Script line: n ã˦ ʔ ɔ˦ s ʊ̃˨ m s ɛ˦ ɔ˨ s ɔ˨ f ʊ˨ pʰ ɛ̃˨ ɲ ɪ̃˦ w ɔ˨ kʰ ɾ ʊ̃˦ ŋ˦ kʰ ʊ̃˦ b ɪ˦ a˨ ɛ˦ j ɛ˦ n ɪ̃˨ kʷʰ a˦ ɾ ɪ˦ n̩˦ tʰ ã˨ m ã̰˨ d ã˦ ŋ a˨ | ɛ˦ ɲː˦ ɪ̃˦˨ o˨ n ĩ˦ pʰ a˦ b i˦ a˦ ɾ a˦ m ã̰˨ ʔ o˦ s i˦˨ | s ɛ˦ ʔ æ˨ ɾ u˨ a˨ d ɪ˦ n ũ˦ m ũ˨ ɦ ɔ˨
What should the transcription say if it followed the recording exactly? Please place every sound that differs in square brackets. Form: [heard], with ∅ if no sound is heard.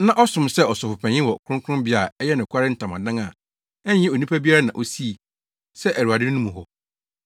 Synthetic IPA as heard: n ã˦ ʔ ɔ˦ s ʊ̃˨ m s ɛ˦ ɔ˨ s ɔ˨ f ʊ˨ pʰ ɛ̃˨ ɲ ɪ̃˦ w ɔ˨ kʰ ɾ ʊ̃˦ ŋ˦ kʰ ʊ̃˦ b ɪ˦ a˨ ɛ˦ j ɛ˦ n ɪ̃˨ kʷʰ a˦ ɾ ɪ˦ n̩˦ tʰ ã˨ m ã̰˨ d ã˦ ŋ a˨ | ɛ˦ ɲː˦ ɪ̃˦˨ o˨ n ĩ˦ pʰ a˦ b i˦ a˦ ɾ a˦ [n] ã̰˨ ʔ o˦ s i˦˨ | s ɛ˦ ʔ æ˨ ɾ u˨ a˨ d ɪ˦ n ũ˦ m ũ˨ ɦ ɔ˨